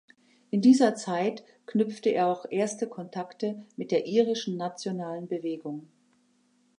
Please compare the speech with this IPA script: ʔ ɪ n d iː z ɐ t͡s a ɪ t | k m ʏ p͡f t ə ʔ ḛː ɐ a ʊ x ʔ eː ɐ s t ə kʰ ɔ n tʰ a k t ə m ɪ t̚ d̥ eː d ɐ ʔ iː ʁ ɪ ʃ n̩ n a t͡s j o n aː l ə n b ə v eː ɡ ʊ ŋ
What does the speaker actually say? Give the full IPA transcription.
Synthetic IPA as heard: ʔ ɪ n d iː z ɐ t͡s a ɪ t | k n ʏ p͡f t ə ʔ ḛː ɐ a ʊ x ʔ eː ɐ s t ə kʰ ɔ n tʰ a k t ə m ɪ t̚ d̥ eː ɐ ʔ iː ʁ ɪ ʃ n̩ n a t͡s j o n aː l ə n b ə v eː ɡ ʊ ŋ